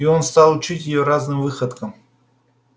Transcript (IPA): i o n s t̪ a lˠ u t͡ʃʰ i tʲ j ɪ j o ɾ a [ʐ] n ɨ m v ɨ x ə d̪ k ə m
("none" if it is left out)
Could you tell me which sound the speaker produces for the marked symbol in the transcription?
z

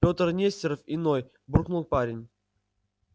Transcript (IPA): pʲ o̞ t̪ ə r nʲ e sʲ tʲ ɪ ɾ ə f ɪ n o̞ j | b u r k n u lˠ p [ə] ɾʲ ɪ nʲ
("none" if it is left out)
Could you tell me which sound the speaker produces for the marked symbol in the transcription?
a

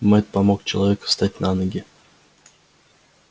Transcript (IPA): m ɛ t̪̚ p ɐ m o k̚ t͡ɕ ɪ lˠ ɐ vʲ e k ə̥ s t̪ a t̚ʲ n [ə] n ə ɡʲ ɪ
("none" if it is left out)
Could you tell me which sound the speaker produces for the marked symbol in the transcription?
a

